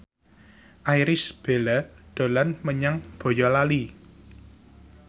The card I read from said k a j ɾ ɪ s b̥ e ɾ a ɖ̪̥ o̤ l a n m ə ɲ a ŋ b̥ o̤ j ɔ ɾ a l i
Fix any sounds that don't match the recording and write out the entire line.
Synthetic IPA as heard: ʔ a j ɾ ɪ s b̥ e l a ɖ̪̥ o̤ l a n m ə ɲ a ŋ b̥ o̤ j ɔ l a l i